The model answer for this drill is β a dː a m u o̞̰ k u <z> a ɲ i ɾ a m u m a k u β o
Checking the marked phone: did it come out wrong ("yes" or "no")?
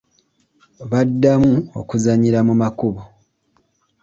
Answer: no